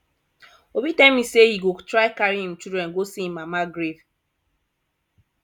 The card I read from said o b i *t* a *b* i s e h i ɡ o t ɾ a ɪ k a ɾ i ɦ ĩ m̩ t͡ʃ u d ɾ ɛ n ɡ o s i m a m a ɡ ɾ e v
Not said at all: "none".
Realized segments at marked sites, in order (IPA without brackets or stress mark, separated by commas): t, m